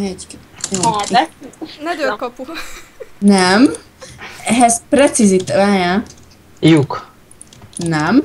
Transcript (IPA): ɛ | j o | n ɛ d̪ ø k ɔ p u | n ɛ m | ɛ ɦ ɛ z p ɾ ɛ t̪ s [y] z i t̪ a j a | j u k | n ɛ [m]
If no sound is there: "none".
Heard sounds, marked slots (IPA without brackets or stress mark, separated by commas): i, m